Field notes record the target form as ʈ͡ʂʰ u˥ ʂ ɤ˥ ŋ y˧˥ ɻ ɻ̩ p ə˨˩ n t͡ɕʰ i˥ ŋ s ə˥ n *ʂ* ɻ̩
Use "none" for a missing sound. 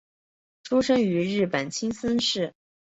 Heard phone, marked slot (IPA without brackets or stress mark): ʂ